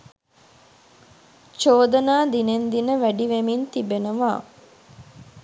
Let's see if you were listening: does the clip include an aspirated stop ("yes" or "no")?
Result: no